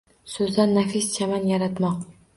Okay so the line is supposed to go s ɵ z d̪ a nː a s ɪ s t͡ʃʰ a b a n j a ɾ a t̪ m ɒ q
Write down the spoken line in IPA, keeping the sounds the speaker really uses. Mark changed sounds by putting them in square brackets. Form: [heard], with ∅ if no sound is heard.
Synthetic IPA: s ɵ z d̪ a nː a [f] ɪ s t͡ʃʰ a [m] a n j a ɾ a t̪ m ɒ q